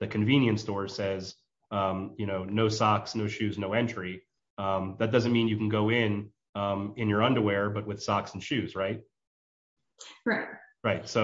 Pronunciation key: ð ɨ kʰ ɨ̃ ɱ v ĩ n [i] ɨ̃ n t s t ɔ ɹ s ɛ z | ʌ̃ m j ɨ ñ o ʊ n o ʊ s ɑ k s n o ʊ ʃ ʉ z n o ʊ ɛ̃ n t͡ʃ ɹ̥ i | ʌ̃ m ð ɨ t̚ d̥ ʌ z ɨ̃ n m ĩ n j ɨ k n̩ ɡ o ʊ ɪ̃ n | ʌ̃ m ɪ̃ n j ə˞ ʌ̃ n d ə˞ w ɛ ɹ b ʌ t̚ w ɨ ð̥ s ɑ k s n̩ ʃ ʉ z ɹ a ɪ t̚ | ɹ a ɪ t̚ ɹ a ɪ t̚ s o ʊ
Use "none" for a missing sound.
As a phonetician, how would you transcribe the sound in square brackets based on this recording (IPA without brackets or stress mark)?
j